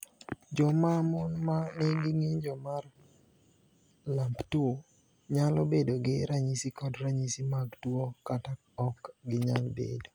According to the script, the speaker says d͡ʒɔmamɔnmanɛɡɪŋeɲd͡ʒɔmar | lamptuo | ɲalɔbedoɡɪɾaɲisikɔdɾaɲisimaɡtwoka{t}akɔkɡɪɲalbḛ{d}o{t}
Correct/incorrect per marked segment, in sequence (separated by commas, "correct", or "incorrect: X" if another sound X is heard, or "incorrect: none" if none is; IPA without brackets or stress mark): correct, correct, incorrect: none